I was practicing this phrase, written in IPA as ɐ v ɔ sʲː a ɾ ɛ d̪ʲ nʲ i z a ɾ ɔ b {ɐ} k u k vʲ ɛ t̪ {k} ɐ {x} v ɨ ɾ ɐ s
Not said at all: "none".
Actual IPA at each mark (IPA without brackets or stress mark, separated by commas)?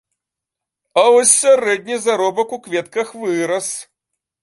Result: ɐ, k, x